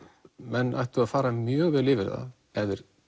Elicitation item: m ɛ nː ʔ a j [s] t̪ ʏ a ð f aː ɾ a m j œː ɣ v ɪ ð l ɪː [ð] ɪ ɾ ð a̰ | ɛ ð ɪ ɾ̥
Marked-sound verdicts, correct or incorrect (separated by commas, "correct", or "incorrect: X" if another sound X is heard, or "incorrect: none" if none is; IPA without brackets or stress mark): incorrect: h, incorrect: v